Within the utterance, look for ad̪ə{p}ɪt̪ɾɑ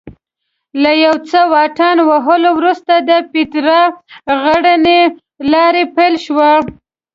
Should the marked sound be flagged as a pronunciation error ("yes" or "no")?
no